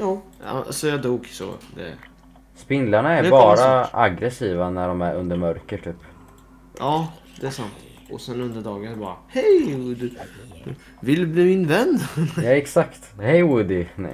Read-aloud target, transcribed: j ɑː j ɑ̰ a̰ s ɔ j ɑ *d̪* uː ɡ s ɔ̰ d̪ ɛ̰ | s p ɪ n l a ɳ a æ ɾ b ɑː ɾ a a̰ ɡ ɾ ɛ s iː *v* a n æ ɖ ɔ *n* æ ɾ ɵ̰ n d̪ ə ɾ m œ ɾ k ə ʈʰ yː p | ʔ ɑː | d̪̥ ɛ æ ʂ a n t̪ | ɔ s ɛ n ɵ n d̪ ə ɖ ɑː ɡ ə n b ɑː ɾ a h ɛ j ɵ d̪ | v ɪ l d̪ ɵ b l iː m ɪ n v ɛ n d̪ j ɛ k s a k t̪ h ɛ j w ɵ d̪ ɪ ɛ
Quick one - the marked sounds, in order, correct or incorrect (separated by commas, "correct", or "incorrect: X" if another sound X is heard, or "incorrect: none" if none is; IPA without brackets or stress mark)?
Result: correct, correct, incorrect: m